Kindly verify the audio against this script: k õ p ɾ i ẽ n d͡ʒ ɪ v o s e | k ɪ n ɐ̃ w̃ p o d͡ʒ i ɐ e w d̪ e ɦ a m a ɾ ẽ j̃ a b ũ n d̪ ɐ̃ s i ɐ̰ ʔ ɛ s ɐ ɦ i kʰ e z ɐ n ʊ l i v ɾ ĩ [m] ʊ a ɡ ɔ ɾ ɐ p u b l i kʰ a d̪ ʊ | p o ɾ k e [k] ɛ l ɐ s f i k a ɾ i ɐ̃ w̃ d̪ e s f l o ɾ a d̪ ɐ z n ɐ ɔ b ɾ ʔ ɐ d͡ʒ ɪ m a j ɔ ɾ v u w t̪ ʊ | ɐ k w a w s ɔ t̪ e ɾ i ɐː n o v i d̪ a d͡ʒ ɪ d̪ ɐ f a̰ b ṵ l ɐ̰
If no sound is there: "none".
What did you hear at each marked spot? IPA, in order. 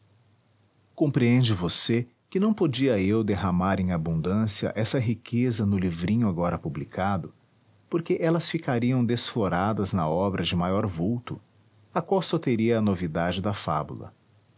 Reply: ɲ, ʔ

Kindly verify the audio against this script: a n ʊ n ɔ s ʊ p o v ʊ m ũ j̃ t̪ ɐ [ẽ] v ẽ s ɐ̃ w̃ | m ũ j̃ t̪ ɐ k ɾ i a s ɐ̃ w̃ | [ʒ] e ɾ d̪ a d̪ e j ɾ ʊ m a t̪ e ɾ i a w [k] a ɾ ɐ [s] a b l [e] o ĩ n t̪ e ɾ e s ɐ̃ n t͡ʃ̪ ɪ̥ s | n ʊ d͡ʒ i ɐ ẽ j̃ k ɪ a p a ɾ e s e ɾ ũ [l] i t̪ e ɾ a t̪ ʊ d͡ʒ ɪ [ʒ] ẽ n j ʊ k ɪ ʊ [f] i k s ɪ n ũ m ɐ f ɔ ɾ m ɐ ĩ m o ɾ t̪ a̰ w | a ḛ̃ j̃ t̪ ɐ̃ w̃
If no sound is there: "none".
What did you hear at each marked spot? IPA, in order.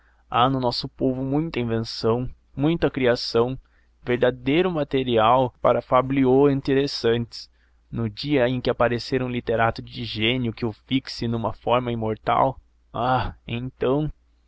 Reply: ĩ, v, p, f, i, l, ʒ, f

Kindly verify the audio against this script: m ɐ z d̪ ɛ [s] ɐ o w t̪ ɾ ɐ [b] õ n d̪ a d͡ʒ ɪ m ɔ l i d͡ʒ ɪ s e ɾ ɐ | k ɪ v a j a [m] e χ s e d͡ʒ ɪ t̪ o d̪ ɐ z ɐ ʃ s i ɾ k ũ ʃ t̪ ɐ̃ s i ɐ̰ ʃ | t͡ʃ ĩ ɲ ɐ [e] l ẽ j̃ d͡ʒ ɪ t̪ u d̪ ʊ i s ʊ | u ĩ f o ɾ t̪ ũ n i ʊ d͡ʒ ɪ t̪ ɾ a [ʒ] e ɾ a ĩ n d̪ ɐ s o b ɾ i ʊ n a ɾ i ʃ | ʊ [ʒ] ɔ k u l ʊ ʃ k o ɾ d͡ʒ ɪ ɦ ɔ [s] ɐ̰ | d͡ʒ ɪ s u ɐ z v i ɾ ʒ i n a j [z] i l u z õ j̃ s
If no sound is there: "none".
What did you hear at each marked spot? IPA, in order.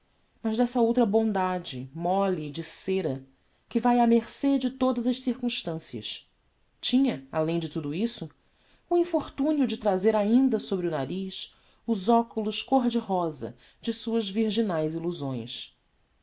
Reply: s, b, m, a, z, z, z, z

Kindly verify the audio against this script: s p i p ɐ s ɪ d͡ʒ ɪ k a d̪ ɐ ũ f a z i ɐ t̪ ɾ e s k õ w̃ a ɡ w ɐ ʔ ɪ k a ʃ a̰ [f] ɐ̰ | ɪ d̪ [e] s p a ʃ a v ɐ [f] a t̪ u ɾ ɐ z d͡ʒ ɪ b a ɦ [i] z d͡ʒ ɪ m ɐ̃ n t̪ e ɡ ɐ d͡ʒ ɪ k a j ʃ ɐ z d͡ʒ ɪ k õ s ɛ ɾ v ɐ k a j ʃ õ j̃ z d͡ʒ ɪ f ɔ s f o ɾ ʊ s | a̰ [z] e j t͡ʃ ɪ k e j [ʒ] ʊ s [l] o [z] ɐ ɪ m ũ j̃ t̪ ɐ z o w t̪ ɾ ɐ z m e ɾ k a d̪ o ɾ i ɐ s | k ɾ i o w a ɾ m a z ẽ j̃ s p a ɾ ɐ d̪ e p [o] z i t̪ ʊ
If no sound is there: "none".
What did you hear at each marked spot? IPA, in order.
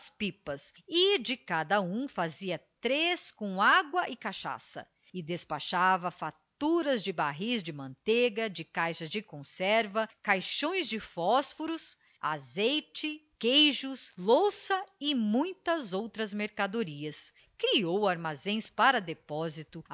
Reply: s, e, f, i, z, ʒ, l, s, ɔ

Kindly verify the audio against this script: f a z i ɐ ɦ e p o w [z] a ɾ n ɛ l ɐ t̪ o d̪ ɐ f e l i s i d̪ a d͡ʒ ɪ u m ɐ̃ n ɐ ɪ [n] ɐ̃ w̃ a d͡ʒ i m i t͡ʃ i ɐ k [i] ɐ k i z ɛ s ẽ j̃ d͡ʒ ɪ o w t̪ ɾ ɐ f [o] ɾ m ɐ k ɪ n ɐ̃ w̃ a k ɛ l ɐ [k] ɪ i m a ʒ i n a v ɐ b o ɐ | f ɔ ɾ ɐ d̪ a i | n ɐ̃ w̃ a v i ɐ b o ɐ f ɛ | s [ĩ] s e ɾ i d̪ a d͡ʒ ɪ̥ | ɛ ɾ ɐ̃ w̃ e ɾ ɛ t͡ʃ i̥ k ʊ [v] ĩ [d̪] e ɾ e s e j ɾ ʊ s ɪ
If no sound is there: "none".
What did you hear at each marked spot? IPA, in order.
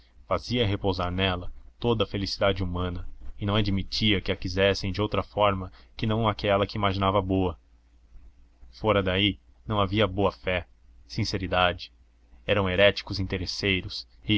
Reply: z, n, ɪ, ɔ, k, ĩ, z, t̪

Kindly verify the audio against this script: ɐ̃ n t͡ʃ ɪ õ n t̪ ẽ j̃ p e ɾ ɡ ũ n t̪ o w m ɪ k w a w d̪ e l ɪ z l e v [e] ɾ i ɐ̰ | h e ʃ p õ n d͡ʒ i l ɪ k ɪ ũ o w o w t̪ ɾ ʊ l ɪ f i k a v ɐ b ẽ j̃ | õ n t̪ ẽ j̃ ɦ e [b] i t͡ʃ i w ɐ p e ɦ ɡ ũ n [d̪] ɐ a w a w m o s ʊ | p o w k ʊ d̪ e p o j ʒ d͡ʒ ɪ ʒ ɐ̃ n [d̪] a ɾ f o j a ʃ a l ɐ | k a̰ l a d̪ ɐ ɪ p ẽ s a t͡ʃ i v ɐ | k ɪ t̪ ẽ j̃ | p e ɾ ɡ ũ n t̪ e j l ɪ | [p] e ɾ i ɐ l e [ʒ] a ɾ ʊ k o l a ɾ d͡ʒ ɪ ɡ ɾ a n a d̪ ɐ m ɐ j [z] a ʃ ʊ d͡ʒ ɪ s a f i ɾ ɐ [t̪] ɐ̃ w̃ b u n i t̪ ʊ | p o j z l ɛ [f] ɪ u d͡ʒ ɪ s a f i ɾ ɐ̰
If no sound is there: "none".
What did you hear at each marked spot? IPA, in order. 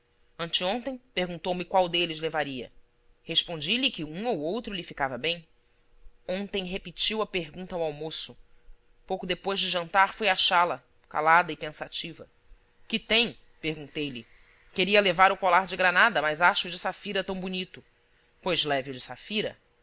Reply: a, p, t̪, t̪, k, v, z, t̪, v

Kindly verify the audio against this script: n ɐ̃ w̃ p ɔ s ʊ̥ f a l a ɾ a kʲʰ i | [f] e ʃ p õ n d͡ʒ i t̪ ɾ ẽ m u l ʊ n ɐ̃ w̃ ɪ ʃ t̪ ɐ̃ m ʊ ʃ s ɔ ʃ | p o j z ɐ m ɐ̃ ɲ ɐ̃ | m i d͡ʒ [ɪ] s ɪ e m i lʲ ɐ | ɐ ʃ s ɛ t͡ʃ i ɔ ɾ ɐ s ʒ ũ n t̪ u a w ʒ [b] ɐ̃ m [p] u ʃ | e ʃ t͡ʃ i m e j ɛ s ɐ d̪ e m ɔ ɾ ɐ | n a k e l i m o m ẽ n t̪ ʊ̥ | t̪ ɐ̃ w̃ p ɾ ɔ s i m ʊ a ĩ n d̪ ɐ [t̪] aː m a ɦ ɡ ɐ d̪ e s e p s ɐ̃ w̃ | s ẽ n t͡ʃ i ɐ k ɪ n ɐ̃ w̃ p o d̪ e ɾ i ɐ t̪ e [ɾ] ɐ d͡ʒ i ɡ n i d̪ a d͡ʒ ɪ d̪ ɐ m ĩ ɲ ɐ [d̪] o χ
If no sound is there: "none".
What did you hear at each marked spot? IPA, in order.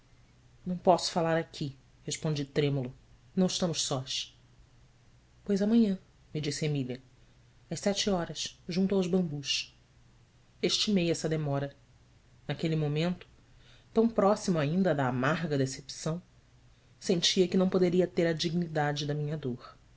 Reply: h, i, b, b, d̪, ɾ, d̪

